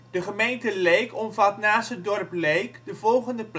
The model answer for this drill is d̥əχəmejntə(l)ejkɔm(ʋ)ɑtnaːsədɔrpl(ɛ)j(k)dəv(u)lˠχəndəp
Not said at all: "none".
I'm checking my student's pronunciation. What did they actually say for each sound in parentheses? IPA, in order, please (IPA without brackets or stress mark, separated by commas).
l, v, e, k, ɔ